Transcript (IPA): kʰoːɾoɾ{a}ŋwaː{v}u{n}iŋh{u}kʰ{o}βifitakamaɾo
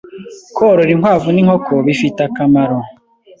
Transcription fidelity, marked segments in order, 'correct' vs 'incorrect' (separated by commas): incorrect, correct, correct, incorrect, correct